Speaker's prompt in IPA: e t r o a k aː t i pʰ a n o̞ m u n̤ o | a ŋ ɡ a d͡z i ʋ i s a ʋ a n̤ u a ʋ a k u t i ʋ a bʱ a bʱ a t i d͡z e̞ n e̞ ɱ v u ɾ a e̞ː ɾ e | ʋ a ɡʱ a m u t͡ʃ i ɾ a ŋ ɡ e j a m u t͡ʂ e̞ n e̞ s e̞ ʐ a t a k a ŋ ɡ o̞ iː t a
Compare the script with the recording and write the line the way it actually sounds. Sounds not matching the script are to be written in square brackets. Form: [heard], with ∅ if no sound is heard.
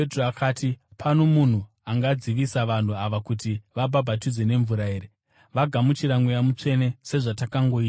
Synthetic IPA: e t r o a k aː t i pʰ a n o̞ m u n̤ [u] | a ŋ ɡ a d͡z i ʋ i s a ʋ a n̤ u a ʋ a k u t i ʋ a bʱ a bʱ a t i d͡z e̞ n e̞ ɱ v u ɾ a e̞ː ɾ e | ʋ a ɡʱ a m u t͡ʃ i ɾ a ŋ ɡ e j a m u t͡ʂ e̞ n e̞ s e̞ ʐ a t a k a ŋ ɡ o̞ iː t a